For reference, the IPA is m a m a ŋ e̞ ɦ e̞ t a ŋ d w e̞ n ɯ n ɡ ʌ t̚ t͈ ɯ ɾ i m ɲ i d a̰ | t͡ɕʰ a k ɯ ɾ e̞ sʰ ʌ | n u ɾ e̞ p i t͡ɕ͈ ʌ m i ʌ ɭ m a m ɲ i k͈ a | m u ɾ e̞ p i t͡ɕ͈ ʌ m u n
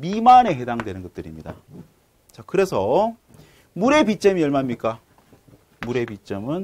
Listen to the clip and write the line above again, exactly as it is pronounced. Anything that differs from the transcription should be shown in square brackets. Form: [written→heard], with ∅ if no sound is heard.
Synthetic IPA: m [a→i] m a [ŋ→n] e̞ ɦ e̞ [t→d] a ŋ d w e̞ n ɯ n ɡ ʌ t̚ t͈ ɯ ɾ i m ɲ i d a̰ | [t͡ɕʰ→t͡ɕ] a k ɯ ɾ e̞ sʰ ʌ | [n→m] u ɾ e̞ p i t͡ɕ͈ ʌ m i ʌ ɭ m a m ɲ i k͈ a | m u ɾ e̞ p i t͡ɕ͈ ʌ m [u→ɯ] n